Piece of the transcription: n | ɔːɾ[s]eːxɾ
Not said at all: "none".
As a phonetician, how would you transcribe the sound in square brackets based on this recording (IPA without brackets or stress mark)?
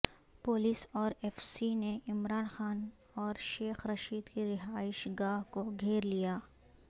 ʃ